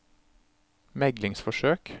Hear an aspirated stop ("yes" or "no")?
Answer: no